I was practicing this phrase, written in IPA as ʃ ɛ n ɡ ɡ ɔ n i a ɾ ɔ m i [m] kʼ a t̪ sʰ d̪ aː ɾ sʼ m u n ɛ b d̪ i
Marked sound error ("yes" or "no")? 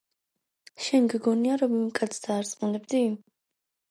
no